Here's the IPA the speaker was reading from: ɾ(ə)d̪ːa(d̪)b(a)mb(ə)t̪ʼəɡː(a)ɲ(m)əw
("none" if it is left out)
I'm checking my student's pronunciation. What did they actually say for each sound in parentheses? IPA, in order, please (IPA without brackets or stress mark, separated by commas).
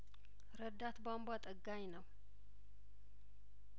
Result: ə, t̪, a, a, a, n